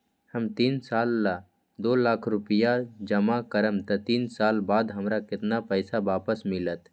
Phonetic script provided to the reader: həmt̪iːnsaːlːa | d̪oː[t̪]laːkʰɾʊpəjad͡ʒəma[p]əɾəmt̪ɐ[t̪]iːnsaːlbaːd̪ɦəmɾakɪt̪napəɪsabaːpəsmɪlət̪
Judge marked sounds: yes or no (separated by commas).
no, no, yes